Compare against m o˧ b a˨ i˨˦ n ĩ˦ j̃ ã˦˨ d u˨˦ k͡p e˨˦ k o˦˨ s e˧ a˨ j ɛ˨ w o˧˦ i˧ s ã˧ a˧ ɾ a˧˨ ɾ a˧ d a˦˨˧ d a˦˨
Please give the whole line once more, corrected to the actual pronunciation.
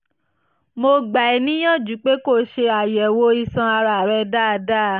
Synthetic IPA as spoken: m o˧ ɡ͡b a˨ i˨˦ n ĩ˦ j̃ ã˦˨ d͡ʒ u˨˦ k͡p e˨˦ k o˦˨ ʃ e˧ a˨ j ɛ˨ w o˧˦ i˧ s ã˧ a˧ ɾ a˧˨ ɾ ɛ˧ d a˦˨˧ d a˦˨

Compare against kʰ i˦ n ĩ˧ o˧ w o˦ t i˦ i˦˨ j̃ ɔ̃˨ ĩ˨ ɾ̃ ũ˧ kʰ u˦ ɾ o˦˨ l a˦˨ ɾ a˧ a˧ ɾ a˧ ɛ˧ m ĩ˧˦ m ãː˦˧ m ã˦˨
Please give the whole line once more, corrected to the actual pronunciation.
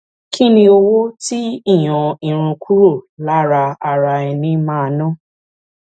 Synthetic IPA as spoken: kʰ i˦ n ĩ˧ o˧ w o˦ t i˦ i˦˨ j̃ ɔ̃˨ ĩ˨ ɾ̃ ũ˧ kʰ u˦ ɾ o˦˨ l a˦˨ ɾ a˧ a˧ ɾ a˧ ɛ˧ n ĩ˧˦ m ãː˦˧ n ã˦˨

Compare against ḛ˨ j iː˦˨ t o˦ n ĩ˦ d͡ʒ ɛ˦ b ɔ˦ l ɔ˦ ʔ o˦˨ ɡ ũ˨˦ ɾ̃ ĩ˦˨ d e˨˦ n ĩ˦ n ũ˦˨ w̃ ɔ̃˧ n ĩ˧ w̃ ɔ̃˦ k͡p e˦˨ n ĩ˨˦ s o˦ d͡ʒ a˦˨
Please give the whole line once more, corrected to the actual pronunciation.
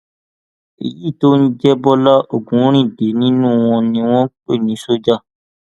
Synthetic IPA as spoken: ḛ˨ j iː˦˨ t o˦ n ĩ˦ d͡ʒ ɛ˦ b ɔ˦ l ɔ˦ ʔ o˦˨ ɡ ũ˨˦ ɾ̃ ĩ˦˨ d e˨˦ n ĩ˦ n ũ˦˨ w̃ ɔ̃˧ n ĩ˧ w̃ ɔ̃˦ k͡p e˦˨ n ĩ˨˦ s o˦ d͡ʒ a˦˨

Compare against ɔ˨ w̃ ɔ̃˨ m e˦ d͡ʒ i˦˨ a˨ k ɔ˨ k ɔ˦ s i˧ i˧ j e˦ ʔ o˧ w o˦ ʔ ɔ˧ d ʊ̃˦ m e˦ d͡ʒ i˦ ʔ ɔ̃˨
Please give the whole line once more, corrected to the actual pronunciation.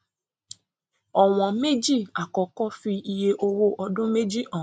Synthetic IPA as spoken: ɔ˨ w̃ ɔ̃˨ m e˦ d͡ʒ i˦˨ a˨ k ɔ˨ k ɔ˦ f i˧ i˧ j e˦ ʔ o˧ w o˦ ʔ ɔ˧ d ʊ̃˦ m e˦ d͡ʒ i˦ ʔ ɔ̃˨

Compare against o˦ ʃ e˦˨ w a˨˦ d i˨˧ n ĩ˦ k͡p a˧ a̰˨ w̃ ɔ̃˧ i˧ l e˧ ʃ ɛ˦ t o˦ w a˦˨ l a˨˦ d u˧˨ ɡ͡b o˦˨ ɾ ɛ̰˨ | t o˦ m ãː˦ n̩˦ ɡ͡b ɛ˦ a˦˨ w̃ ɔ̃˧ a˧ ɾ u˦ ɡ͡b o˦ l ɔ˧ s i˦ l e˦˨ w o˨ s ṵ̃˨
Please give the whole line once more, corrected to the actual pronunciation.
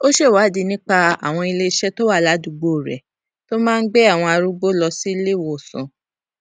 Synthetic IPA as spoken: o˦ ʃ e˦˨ w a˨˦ d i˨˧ n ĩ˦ k͡p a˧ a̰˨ w̃ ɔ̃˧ i˧ l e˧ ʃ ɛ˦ t o˦ w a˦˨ l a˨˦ d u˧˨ ɡ͡b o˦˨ ɾ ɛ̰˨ | t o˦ m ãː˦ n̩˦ ɡ͡b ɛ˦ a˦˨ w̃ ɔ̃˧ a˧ ɾ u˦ ɡ͡b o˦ l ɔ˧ s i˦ l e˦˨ w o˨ s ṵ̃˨

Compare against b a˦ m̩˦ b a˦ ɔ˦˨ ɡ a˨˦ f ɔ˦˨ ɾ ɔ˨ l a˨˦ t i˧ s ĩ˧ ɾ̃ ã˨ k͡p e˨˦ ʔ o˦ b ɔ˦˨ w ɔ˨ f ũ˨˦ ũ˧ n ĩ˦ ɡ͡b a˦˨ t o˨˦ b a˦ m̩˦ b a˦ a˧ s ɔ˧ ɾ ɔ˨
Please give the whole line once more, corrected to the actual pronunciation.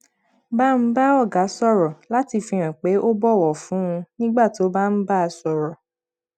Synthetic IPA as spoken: b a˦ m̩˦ b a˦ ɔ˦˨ ɡ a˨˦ s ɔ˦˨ ɾ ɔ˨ l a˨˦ t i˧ f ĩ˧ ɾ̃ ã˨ k͡p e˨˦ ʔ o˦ b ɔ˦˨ w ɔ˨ f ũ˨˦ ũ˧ n ĩ˦ ɡ͡b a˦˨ t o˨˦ b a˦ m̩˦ b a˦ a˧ s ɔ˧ ɾ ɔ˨

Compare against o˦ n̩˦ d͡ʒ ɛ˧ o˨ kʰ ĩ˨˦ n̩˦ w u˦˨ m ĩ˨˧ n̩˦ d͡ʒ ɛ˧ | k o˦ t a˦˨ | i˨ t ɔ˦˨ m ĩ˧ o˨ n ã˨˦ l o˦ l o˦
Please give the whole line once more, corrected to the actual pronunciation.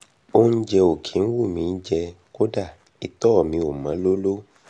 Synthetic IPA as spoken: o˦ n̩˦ d͡ʒ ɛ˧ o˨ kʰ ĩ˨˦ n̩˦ w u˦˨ m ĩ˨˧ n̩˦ d͡ʒ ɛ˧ | k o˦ d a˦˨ | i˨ t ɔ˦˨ m ĩ˧ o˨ m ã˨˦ l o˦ l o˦

